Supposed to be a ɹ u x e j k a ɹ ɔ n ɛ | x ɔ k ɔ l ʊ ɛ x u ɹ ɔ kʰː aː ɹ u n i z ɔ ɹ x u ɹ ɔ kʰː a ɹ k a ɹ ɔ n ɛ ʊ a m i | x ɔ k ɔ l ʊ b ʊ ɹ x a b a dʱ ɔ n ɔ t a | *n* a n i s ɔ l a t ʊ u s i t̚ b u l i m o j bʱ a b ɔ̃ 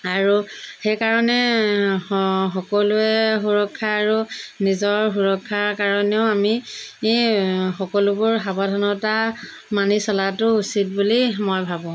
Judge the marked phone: incorrect: m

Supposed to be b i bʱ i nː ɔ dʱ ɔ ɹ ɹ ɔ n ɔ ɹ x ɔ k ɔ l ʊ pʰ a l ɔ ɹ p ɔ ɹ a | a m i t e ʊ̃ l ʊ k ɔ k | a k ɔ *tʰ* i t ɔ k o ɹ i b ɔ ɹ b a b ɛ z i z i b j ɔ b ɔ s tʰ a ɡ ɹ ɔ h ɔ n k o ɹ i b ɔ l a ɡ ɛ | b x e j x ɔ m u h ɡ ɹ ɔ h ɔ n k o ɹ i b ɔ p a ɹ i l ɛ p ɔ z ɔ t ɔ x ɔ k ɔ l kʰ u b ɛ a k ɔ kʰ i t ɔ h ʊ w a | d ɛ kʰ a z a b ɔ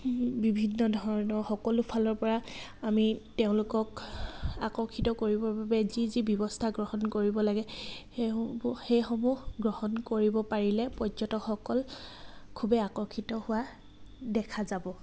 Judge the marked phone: incorrect: kʰ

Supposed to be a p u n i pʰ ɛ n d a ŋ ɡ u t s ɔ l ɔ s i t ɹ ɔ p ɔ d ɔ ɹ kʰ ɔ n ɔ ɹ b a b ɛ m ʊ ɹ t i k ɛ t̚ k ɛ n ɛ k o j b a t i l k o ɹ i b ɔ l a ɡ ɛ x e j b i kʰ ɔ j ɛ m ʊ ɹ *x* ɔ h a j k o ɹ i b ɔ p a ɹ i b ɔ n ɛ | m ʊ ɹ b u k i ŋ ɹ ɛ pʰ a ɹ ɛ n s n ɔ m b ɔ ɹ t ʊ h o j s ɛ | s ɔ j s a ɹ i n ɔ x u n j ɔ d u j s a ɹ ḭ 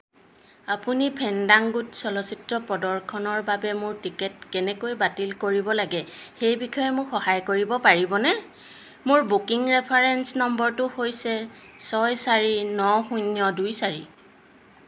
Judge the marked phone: correct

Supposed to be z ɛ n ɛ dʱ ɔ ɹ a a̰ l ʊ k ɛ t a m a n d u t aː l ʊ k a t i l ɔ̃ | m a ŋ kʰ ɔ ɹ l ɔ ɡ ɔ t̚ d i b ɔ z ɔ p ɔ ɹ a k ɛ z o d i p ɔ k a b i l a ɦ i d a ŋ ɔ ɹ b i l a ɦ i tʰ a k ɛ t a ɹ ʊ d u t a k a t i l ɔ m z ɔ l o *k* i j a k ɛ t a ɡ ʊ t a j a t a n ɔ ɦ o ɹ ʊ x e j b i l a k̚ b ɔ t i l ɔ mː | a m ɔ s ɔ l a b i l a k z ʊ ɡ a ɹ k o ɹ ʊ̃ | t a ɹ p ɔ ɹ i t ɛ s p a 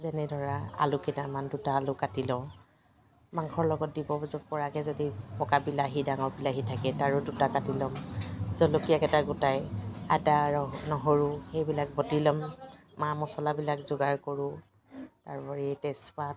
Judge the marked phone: correct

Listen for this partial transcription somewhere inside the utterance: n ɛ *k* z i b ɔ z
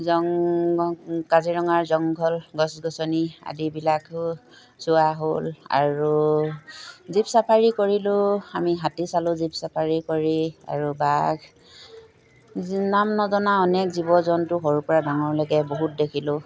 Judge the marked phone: correct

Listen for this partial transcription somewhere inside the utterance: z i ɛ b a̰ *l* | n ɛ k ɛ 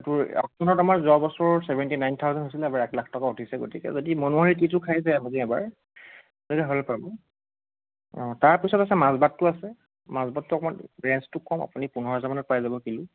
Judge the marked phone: incorrect: ɹ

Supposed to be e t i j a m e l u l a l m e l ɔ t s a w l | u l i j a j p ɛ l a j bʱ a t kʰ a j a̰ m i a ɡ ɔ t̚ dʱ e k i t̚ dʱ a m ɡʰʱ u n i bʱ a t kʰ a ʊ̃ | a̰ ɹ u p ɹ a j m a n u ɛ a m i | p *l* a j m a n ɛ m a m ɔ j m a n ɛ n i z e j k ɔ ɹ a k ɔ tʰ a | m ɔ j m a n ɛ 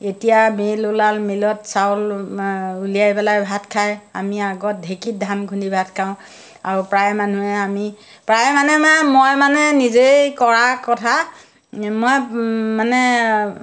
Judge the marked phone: incorrect: ɹ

